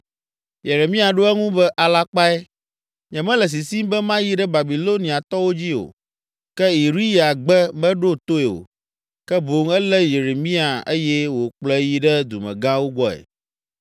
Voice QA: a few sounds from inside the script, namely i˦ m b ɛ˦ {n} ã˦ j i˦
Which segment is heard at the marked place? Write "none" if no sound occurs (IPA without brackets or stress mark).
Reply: m